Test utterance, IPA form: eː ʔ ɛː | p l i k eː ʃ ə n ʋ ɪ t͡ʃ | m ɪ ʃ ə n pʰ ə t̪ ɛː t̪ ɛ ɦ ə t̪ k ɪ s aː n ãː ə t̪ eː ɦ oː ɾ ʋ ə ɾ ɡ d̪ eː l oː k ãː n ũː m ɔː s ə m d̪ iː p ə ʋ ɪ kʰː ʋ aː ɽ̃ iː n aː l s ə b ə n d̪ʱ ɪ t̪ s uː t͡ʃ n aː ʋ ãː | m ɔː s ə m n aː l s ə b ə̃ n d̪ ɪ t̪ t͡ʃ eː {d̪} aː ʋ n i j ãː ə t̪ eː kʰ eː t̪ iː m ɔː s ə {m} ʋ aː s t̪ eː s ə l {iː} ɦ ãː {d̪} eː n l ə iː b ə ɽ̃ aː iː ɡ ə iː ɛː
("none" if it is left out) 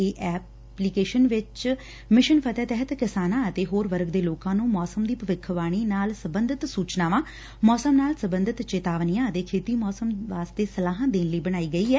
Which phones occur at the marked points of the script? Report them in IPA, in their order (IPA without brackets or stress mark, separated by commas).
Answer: t̪, m, aː, d̪